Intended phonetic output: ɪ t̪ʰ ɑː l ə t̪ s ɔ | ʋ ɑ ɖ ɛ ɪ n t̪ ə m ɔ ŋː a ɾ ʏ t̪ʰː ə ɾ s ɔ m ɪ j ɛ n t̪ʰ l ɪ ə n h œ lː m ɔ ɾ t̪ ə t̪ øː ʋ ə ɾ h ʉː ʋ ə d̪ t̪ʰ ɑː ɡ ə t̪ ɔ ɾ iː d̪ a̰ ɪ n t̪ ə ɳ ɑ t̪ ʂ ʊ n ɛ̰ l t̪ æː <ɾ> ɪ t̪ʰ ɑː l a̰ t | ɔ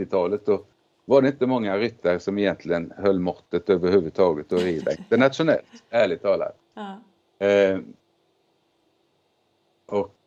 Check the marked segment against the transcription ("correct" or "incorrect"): incorrect